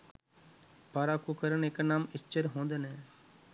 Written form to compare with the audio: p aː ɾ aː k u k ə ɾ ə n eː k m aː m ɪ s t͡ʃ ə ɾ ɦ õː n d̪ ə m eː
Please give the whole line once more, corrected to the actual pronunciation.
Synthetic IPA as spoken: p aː ɾ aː k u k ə ɾ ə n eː k n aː m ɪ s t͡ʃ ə ɾ ɦ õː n d̪ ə n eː